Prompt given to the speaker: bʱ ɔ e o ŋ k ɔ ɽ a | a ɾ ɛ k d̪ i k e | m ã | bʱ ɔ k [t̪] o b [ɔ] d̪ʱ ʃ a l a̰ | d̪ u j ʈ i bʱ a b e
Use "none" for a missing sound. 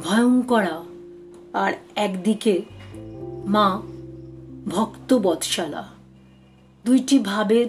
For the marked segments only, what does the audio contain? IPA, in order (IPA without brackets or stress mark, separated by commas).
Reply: t̪, ɔ